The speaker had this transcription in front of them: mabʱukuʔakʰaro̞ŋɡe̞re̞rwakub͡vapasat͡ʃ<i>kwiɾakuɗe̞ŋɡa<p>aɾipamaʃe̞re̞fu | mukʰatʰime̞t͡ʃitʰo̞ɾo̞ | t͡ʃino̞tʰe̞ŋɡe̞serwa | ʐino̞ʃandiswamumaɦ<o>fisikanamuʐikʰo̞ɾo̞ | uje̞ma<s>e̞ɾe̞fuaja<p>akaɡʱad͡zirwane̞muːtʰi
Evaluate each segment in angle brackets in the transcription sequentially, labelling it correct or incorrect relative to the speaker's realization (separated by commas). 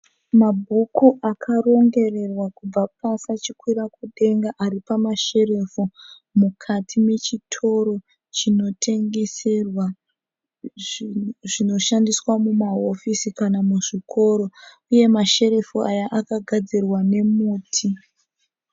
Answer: correct, incorrect, correct, incorrect, incorrect